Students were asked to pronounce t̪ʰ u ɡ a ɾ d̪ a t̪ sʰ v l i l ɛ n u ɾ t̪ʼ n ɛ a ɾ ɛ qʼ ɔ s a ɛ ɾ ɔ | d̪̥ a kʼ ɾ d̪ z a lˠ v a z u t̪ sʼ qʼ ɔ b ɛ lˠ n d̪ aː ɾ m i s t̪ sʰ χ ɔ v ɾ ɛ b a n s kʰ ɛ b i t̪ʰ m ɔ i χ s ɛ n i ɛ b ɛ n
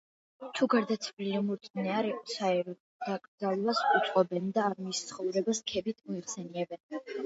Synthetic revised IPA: t̪ʰ u ɡ a ɾ d̪ a t̪ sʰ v l i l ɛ m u ɾ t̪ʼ n ɛ a ɾ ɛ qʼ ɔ s a ɛ ɾ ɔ | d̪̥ a kʼ ɾ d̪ z a lˠ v a s u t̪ sʼ qʼ ɔ b ɛ n d̪ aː ɾ m i s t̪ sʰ χ ɔ v ɾ ɛ b a s kʰ ɛ b i t̪ʰ m ɔ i χ s ɛ n i ɛ b ɛ n